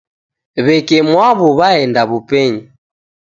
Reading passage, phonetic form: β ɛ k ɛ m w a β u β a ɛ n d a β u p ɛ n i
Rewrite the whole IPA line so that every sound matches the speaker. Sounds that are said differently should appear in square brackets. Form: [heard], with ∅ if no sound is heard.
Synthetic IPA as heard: β ɛ k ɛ m w a β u β a ɛ n d a β u p ɛ [ɲ] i

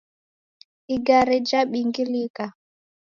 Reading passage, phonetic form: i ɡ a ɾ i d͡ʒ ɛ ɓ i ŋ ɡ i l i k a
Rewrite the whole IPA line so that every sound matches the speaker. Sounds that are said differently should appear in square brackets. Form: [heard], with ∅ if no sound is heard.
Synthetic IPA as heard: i ɡ a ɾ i d͡ʒ [a] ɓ i ŋ ɡ i l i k a

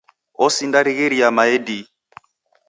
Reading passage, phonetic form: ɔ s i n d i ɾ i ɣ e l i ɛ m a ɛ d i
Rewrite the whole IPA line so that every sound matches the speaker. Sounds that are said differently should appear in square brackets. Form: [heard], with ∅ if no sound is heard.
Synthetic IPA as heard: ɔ s i n d [a] ɾ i ɣ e [ɾ] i [a] m a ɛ d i

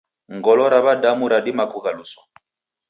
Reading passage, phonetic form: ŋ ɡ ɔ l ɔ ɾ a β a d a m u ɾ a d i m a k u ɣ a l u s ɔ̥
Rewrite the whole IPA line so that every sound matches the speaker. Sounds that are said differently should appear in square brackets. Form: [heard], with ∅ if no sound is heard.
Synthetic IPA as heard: ŋ ɡ ɔ l ɔ ɾ a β a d a m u ɾ a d i m a k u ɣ a l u s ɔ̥

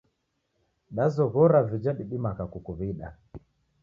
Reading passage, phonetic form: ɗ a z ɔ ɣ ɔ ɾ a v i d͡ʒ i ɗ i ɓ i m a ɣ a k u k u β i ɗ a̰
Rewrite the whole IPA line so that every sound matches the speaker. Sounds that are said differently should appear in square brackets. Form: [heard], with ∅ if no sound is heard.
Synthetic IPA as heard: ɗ a z ɔ ɣ ɔ ɾ a v i d͡ʒ [a] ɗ i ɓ i m a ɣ a k u k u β i ɗ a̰

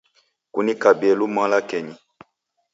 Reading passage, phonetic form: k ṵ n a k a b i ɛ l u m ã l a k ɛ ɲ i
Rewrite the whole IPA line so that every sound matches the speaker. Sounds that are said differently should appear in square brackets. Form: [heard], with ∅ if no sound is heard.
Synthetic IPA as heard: k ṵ n [i] k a b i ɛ l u m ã l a k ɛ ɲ i

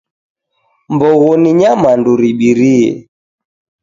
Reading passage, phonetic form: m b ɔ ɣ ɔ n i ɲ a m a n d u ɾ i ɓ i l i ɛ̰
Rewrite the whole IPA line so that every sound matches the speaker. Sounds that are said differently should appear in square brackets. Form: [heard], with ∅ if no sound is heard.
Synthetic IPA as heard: m b ɔ ɣ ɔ n i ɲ a m a n d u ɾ i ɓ i [ɾ] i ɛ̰

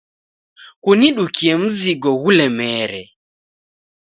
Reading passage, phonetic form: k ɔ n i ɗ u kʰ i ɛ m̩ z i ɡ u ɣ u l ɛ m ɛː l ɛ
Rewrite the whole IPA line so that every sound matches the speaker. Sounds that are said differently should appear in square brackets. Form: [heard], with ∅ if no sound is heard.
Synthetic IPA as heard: k [u] n i ɗ u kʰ i ɛ m̩ z i ɡ [ɔ] ɣ u l ɛ m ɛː [ɾ] ɛ

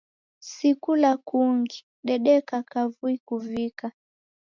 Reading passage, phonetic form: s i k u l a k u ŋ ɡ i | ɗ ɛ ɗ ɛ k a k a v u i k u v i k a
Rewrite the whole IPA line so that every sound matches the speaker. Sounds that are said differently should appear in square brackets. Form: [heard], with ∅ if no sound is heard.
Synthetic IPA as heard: s i k u l a k u ŋ ɡ i | ɗ ɛ ɗ ɛ k a k a v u i k u v i k a

